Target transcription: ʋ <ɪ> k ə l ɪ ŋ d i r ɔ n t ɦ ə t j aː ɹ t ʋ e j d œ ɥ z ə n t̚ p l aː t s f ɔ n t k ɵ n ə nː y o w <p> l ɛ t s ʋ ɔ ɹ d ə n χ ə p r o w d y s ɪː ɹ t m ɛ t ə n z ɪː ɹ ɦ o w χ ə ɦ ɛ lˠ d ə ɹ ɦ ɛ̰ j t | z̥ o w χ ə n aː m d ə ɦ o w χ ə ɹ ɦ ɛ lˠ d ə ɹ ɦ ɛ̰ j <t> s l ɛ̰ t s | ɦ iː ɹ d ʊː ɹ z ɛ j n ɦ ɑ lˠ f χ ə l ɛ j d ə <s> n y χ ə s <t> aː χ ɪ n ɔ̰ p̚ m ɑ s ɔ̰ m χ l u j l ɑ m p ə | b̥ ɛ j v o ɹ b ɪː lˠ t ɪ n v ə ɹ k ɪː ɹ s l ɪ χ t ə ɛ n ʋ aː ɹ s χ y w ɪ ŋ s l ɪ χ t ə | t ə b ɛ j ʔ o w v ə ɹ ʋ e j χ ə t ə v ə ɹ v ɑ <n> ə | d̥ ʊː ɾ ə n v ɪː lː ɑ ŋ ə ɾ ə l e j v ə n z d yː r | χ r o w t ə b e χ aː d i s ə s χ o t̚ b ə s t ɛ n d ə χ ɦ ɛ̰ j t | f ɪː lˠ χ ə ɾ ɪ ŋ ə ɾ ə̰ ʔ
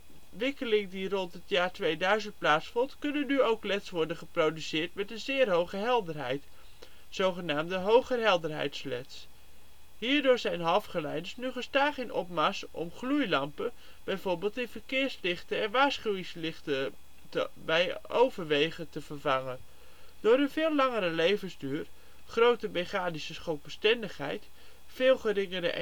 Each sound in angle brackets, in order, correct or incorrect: correct, incorrect: k, correct, correct, correct, incorrect: ŋ

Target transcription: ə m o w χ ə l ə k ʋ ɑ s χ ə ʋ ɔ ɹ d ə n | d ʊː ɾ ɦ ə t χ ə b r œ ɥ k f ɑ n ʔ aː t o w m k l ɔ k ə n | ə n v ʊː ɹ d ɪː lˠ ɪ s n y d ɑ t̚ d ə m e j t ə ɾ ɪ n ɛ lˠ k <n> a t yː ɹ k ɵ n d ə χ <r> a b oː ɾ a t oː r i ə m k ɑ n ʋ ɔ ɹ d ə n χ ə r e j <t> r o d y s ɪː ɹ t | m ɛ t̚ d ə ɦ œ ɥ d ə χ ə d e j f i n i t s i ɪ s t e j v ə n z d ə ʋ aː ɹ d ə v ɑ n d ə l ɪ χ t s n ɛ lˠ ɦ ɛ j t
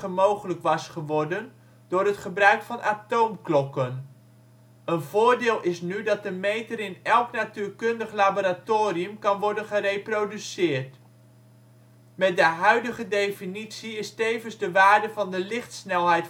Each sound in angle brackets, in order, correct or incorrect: correct, incorrect: l, incorrect: p

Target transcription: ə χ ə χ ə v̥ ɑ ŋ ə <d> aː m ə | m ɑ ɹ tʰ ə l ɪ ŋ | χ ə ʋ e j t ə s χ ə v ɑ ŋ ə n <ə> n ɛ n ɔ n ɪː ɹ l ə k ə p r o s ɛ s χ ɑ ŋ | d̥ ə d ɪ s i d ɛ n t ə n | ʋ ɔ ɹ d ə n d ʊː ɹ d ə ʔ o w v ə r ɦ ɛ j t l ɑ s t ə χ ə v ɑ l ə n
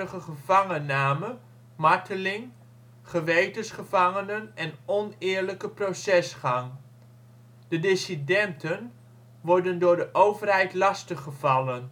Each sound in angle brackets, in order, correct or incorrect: incorrect: n, correct

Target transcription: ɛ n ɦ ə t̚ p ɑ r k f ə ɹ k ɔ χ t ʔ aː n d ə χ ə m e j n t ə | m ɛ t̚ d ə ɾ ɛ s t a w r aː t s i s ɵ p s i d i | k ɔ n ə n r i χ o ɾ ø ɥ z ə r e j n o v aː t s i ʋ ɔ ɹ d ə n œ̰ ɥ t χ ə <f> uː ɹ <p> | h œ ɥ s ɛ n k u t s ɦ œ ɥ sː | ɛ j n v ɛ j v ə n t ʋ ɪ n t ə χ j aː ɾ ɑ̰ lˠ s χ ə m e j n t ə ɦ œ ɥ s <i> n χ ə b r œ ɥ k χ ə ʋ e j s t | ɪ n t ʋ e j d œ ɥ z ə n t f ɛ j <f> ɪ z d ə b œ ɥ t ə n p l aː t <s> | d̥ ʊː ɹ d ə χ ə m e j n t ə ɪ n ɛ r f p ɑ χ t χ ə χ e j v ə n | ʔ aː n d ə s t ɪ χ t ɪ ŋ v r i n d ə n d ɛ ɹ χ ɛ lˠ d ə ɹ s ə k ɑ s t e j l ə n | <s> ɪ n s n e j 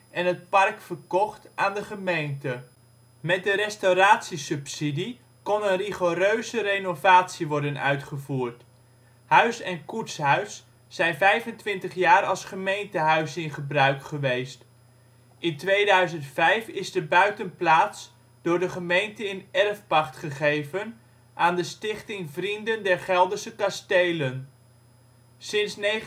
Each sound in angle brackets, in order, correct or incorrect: incorrect: v, incorrect: t, incorrect: ɪ, correct, correct, correct

